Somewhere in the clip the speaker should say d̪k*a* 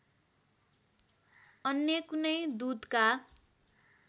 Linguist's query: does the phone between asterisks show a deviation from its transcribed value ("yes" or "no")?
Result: no